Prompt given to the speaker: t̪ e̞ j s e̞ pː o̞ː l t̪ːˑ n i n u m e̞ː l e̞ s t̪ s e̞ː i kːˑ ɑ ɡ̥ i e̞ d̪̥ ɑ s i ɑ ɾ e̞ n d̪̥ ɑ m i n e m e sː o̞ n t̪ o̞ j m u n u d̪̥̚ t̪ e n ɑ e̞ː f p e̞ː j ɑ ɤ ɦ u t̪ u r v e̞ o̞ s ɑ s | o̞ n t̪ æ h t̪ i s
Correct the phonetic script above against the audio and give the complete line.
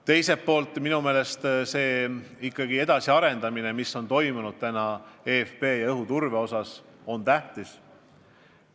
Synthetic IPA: t̪ e̞ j s e̞ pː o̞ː l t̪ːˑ m i n u m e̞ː l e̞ s t̪ s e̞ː i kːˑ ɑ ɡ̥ i e̞ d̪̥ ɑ s i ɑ ɾ e̞ n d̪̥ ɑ m i n e m i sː o̞ n t̪ o̞ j m u n u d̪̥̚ t̪ æ n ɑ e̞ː f p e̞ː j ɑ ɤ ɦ u t̪ u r v e̞ o̞ s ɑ s | o̞ n t̪ æ h t̪ i s